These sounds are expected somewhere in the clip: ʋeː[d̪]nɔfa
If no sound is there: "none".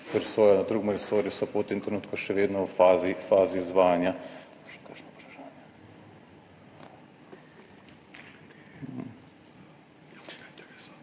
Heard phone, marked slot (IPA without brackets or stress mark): d̪